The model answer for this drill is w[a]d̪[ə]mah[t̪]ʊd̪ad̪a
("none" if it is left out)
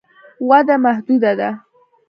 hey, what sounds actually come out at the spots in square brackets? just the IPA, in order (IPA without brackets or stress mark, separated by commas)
a, a, d̪